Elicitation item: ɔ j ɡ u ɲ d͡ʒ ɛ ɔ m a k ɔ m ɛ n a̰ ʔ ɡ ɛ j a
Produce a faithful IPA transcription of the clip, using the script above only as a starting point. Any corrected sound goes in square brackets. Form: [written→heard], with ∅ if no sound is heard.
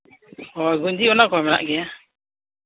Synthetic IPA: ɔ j ɡ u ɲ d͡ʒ [ɛ→i] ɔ [m→n] a k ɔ m ɛ n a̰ ʔ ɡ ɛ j a